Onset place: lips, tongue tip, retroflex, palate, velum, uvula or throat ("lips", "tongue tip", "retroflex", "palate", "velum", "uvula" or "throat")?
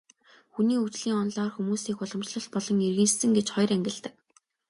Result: velum